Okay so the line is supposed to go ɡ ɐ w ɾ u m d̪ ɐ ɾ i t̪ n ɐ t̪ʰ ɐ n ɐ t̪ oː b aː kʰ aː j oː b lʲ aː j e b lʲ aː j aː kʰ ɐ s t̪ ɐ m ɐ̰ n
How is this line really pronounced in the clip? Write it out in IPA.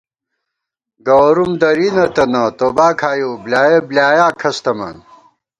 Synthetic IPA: ɡ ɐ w ɾ u m d̪ ɐ ɾ i n ɐ t̪ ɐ n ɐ t̪ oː b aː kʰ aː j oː b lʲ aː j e b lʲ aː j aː kʰ ɐ s t̪ ɐ m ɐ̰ n